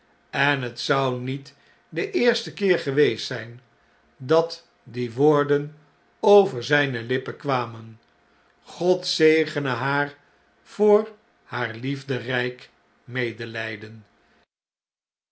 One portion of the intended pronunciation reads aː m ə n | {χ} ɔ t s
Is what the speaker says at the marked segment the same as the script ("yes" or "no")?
yes